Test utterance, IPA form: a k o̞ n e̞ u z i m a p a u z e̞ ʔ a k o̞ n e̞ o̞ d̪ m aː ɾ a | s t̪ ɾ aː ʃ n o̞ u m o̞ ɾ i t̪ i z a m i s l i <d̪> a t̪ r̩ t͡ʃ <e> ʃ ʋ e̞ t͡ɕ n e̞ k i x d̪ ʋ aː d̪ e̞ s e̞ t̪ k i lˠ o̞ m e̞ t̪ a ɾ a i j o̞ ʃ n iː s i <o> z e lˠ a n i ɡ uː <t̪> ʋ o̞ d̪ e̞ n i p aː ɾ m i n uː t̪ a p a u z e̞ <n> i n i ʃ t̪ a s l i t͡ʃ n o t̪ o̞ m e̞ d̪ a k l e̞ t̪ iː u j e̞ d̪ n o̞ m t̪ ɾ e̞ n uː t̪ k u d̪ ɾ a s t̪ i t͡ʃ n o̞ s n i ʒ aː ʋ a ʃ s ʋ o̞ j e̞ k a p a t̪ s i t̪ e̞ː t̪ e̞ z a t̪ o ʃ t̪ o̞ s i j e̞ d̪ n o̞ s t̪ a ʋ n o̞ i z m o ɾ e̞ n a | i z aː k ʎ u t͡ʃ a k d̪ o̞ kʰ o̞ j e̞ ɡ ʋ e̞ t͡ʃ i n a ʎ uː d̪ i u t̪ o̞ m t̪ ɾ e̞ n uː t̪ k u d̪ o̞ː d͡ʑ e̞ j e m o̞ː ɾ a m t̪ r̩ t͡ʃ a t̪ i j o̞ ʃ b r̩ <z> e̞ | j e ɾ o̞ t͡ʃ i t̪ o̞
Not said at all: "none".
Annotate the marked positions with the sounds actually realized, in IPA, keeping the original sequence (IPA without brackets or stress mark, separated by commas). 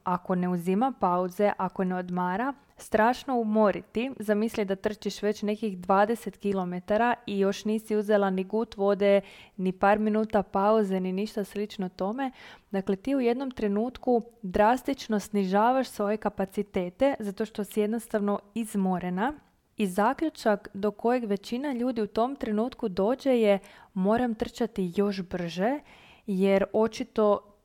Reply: d̪, i, u, t̪, n, ʒ